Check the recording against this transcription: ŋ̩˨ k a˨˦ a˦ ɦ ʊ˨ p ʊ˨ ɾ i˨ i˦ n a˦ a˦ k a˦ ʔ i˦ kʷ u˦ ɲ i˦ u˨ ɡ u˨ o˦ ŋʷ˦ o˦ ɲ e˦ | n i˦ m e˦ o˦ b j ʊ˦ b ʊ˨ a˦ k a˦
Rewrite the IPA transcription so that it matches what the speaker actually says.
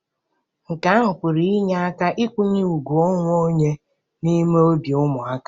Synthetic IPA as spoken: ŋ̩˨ k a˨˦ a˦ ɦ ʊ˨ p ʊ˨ ɾ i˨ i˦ ɲ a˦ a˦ k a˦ ʔ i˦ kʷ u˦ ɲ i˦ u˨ ɡ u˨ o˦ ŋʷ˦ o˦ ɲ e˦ | n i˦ m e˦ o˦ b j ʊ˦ m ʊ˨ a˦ k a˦